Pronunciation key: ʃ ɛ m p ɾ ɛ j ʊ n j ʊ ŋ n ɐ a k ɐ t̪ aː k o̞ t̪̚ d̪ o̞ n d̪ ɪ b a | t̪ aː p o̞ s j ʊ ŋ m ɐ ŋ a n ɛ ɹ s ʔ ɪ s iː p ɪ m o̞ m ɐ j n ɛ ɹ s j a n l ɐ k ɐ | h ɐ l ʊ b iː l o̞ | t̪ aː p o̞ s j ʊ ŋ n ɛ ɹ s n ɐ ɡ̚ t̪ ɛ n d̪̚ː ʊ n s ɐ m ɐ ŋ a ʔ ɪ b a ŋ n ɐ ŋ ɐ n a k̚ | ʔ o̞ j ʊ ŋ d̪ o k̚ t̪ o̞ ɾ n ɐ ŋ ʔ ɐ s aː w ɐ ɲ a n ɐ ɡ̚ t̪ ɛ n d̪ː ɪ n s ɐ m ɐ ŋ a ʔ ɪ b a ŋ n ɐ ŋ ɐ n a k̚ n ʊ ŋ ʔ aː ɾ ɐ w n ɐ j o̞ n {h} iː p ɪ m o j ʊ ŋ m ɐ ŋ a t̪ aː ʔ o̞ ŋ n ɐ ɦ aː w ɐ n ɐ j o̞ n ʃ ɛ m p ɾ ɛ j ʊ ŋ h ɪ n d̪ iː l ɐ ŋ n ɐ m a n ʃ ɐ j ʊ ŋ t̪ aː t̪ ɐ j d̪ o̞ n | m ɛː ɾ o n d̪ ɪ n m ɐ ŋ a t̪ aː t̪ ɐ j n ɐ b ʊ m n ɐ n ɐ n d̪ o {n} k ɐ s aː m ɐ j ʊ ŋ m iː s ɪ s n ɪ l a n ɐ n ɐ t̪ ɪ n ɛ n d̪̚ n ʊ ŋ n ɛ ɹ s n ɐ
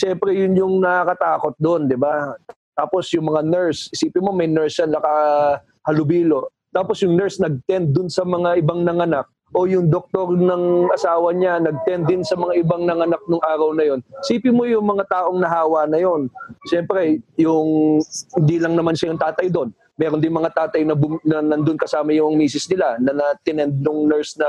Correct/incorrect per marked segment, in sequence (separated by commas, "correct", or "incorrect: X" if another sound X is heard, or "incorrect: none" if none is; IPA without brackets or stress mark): incorrect: s, correct